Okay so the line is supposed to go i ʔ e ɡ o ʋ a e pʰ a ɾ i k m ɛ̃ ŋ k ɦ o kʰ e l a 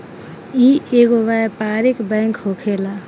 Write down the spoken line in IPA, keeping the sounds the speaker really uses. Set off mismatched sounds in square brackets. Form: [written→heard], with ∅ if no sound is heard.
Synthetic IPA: i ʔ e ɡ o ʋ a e [pʰ→p] a ɾ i k [m→b] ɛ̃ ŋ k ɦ o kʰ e l a